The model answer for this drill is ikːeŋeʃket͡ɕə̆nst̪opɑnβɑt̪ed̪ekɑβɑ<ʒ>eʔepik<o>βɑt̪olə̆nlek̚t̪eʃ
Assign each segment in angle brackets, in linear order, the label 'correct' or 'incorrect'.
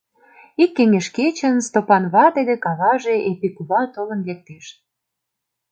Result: correct, incorrect

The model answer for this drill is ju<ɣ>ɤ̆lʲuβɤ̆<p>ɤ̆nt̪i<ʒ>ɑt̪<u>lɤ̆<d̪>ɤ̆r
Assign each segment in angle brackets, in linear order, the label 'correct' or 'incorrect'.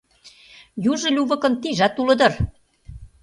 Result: incorrect, incorrect, correct, correct, correct

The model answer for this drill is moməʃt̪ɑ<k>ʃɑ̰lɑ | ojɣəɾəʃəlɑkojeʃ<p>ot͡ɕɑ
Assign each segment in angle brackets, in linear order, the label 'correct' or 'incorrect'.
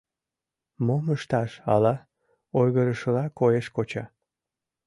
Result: incorrect, incorrect

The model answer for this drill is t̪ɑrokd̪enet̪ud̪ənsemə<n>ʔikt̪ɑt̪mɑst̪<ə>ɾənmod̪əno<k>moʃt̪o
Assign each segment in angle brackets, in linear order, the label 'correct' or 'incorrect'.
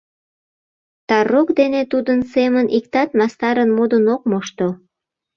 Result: correct, incorrect, correct

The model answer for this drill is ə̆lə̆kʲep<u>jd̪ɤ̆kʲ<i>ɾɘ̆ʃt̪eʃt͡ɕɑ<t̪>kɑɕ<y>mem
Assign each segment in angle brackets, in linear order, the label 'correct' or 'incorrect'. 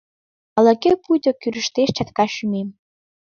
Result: correct, incorrect, correct, correct

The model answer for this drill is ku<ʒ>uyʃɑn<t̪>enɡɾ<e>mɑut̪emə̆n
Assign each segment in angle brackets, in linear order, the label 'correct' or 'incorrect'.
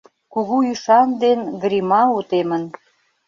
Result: incorrect, incorrect, incorrect

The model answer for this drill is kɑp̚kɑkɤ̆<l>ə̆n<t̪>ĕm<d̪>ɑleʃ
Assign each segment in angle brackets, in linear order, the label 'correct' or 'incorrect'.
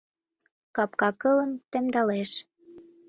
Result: correct, correct, correct

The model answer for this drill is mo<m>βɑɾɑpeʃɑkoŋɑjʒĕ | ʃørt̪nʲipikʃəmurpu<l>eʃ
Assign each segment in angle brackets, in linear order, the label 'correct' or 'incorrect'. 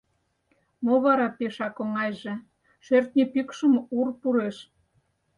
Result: incorrect, incorrect

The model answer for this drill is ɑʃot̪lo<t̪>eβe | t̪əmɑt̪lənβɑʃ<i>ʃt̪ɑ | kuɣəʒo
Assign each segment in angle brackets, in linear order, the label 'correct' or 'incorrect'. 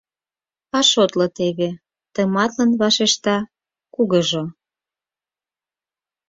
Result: correct, incorrect

